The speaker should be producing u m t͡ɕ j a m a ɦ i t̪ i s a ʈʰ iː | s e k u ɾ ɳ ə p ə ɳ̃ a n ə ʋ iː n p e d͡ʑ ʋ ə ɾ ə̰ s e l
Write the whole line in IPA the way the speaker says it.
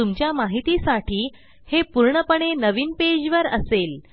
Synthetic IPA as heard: u m t͡ɕ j a m a ɦ i t̪ i s a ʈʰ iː | h e p u ɾ ɳ ə p ə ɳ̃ e n ə ʋ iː n p e d͡ʑ ʋ ə ɾ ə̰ s e l